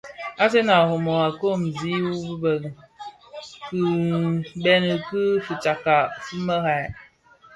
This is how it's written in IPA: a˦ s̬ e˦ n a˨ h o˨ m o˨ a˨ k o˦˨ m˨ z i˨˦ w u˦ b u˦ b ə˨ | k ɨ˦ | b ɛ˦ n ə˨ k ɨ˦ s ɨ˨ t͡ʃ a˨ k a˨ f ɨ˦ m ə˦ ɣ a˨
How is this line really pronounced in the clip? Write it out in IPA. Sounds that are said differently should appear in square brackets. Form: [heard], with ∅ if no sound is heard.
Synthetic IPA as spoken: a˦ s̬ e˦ n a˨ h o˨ m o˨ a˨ k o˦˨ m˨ z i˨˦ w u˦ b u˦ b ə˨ | k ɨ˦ | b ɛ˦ n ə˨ k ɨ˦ [f] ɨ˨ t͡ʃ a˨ k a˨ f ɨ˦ m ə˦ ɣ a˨

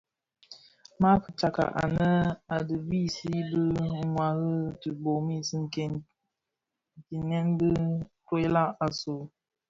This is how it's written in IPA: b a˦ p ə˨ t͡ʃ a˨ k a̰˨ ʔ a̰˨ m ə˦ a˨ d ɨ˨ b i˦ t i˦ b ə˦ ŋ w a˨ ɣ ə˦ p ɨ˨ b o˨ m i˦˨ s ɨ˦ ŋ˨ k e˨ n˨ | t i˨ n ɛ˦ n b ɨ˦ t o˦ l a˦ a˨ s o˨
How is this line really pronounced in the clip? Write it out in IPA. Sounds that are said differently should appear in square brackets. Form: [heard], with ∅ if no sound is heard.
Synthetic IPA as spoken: [m] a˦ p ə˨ t͡ʃ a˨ k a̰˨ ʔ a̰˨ [n] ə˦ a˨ d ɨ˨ b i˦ [s] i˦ b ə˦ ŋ w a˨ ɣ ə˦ [t] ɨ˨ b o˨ m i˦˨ s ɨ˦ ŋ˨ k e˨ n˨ | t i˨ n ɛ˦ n b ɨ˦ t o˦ l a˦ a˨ s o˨

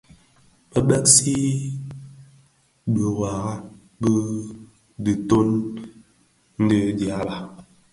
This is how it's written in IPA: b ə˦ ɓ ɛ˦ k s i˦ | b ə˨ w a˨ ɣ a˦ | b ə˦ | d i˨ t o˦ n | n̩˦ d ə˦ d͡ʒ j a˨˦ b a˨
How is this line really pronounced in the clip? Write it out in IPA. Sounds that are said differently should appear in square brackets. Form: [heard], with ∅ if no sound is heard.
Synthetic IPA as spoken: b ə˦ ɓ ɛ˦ k s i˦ | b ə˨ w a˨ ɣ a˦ | b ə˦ | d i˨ t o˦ n | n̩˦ d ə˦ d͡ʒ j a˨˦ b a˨

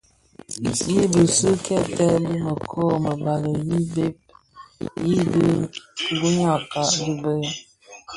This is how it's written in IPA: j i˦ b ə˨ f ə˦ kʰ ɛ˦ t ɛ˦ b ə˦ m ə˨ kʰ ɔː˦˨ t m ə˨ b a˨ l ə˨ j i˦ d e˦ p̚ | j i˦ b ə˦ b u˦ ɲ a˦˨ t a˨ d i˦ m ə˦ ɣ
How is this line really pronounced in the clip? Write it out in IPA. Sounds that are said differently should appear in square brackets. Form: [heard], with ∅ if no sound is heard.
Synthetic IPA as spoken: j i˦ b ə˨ [s] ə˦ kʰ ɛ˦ t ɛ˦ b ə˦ m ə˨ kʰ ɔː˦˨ [∅] m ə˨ b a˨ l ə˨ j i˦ [b] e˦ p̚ | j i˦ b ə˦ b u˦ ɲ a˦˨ [k] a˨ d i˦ [b] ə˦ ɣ

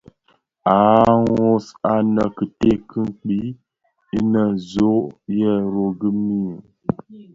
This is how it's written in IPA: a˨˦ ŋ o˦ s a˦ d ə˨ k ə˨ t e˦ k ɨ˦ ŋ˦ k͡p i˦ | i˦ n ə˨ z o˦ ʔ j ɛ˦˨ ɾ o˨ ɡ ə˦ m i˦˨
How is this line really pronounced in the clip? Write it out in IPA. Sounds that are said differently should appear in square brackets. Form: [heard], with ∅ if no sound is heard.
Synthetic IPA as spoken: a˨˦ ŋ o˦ s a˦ [n] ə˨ k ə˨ t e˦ k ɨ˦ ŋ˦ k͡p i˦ | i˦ n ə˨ z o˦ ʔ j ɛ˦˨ ɾ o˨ ɡ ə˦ m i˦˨

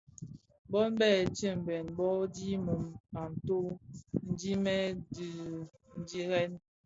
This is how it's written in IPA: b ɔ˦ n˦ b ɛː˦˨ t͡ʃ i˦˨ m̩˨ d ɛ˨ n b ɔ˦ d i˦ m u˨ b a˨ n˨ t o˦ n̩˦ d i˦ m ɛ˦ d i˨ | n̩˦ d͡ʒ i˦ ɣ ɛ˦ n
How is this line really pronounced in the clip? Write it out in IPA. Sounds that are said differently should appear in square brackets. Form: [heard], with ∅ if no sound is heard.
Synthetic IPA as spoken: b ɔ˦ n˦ b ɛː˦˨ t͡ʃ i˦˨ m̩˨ [b] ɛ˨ n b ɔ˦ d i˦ m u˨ [m] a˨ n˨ t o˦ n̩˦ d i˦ m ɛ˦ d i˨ | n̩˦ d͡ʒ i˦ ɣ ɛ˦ n

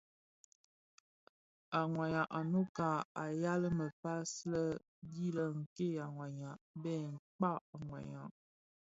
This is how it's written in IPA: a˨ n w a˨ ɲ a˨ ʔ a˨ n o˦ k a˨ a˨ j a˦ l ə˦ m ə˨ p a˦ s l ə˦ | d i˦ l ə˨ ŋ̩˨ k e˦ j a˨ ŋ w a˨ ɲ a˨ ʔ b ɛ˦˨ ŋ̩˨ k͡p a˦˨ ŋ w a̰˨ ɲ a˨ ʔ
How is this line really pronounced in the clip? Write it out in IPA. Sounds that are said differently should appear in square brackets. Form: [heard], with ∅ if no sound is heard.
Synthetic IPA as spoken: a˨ [ŋ] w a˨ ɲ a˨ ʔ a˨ n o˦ k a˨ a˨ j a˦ l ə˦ m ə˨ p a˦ s l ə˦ | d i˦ l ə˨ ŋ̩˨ k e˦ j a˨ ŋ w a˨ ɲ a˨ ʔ b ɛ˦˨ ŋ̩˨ k͡p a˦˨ ŋ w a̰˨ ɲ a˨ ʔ

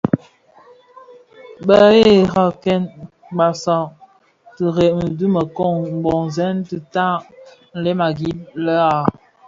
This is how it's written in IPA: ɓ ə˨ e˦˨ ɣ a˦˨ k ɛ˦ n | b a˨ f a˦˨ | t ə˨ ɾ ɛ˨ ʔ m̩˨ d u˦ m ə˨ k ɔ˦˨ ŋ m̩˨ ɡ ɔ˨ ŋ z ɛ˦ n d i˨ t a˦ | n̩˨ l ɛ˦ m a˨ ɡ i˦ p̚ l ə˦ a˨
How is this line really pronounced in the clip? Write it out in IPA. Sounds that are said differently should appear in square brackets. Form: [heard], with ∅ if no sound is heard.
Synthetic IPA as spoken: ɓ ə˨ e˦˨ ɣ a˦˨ k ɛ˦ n | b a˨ [s] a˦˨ | t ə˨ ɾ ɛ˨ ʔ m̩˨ d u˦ m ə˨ k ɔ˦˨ ŋ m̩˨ [b] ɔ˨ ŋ z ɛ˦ n [t] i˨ t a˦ | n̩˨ l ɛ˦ m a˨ ɡ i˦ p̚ l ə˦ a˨

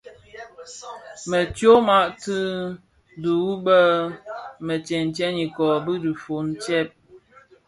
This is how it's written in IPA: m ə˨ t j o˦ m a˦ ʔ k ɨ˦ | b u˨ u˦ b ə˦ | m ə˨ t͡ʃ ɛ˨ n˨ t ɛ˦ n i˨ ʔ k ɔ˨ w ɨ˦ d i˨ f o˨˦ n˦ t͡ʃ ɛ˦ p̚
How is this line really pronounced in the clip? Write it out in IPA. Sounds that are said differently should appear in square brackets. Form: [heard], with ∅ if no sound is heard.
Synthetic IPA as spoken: m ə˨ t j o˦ m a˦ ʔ [t] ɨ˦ | [d] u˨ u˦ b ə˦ | m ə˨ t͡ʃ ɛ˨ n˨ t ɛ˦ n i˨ [∅] k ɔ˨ [b] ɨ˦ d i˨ f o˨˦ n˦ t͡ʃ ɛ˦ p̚

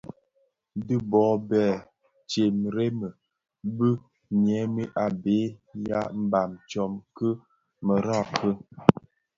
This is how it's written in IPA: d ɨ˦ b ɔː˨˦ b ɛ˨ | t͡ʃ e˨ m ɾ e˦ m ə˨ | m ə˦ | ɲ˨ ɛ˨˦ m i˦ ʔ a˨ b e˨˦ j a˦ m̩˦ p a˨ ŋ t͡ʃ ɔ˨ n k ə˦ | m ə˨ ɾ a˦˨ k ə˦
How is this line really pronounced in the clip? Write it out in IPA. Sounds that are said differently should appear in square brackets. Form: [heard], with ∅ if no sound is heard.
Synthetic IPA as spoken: d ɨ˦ b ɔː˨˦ b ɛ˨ | t͡ʃ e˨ m ɾ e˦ m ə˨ | [b] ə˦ | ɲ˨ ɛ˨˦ m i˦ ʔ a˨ b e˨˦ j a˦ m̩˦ [b] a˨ [m] t͡ʃ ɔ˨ [m] k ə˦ | m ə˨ ɾ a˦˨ k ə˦

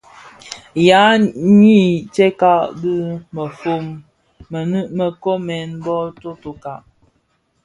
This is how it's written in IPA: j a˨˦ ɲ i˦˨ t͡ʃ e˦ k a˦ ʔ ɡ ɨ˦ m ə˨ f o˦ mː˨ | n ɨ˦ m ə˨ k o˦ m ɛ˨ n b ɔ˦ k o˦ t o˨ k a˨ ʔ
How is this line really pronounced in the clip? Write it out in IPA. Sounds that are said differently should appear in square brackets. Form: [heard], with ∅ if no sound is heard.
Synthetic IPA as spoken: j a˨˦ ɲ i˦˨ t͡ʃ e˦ k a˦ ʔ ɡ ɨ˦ m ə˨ f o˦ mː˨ | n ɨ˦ m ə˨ k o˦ m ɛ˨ n b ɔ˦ [t] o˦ t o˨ k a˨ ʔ

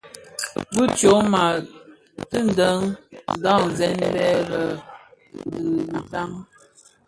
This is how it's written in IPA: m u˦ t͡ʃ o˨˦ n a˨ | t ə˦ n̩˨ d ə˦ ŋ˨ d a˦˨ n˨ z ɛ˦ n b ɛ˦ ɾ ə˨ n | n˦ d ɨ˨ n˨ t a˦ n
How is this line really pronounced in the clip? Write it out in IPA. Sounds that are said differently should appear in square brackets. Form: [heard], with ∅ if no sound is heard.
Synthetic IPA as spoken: [b] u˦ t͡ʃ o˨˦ [m] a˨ | t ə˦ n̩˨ d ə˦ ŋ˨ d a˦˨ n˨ z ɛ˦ n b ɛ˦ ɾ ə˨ [∅] | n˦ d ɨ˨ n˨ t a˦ [ŋ]

